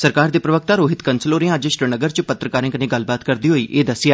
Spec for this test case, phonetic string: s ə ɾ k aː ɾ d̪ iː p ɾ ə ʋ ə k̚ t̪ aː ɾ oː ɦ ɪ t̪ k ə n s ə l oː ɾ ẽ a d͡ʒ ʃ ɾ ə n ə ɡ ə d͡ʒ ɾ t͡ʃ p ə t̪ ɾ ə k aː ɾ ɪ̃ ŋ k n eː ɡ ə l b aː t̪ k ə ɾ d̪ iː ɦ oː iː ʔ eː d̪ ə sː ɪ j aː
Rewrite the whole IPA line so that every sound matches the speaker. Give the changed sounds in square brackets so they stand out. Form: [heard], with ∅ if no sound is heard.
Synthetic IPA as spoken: s ə ɾ k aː ɾ d̪ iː p ɾ ə ʋ ə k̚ t̪ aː ɾ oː ɦ ɪ t̪ k ə n s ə l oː ɾ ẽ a d͡ʒ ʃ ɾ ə n ə ɡ ə [∅] ɾ t͡ʃ p ə t̪ ɾ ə k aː ɾ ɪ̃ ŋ k n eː ɡ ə l b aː t̪ k ə ɾ d̪ iː ɦ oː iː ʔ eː d̪ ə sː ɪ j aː